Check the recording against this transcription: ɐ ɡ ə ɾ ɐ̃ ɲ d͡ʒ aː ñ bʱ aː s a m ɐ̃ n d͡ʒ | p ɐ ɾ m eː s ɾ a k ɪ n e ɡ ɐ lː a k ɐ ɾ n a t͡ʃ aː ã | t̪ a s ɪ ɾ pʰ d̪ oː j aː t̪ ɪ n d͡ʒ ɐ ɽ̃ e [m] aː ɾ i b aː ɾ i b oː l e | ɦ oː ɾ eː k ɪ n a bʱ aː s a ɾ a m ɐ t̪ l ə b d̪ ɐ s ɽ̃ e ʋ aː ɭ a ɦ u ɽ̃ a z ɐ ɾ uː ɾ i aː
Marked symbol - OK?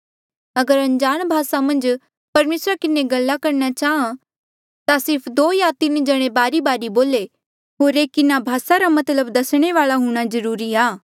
no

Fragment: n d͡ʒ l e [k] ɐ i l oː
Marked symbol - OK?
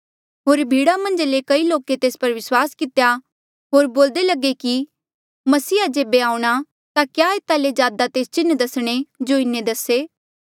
yes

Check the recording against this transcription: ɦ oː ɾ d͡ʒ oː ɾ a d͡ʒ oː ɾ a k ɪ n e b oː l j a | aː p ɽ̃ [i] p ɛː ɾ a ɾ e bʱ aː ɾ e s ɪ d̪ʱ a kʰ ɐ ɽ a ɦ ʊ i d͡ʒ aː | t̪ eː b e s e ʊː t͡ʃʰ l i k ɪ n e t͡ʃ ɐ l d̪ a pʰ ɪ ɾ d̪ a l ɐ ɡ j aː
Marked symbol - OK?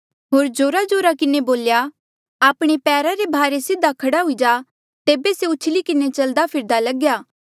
no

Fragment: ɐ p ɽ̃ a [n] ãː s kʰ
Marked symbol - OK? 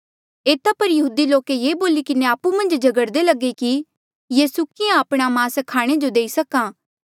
no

